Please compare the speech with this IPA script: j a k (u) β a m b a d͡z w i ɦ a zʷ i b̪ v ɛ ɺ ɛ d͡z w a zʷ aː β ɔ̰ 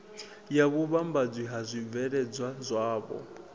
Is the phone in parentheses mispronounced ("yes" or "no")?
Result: no